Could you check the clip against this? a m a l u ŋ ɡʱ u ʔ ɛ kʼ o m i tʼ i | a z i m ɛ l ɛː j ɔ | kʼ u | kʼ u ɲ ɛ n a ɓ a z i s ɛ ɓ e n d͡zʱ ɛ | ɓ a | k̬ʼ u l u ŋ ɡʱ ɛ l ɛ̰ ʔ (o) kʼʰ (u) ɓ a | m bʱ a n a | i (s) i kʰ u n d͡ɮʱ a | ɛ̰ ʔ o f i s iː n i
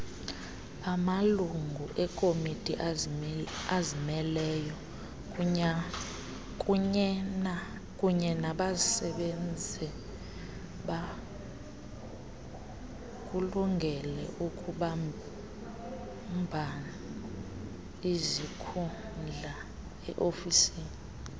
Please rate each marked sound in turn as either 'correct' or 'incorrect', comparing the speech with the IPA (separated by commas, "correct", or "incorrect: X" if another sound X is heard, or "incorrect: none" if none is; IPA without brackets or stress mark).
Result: incorrect: u, correct, incorrect: z